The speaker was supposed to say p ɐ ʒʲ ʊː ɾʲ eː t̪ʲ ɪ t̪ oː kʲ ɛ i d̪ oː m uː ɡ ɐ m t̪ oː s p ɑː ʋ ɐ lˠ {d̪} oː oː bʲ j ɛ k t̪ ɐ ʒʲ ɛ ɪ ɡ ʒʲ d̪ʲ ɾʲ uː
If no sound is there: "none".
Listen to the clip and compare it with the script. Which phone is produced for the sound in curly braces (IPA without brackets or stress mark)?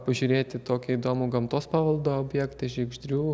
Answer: d̪